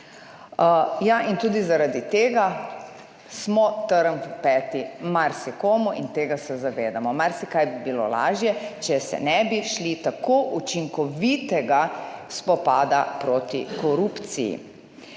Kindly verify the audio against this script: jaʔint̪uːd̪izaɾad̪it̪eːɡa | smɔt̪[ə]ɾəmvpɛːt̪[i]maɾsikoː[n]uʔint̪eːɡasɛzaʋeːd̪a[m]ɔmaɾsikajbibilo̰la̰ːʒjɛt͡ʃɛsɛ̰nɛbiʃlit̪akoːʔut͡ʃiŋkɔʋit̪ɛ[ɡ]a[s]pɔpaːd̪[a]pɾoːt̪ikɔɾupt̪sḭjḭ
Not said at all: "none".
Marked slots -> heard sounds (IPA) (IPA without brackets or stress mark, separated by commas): ə, i, m, m, ɡ, s, a